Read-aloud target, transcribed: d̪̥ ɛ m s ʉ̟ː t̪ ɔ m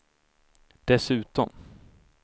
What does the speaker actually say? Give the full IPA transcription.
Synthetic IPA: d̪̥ ɛ s ʉ̟ː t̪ ɔ m